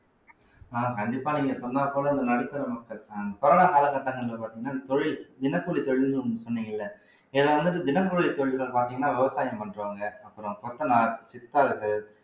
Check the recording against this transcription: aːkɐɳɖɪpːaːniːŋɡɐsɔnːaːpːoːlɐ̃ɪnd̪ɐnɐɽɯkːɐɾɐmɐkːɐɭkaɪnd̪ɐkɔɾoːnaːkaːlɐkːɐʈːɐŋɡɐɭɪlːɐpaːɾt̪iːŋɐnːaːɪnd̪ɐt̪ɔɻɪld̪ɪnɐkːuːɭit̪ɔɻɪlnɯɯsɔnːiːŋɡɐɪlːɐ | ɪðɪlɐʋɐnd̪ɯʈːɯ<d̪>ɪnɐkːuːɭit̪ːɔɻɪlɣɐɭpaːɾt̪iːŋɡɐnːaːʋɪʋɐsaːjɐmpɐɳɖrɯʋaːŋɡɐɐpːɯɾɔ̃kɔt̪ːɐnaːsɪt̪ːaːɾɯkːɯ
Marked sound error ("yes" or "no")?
no